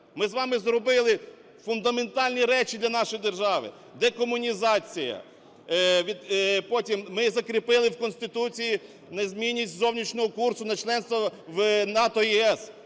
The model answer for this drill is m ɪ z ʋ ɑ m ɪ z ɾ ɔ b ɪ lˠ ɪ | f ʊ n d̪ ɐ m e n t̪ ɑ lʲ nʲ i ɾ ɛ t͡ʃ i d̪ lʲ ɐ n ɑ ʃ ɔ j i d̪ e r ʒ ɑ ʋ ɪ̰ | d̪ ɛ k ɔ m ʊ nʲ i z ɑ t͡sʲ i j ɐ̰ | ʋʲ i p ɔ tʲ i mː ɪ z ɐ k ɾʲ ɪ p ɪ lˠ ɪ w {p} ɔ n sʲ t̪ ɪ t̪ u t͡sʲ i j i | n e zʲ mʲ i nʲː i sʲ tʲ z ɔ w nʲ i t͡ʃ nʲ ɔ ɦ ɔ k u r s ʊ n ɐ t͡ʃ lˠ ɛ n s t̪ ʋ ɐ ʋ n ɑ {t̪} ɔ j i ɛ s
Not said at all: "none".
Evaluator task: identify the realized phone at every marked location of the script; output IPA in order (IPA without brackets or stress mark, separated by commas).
k, t̪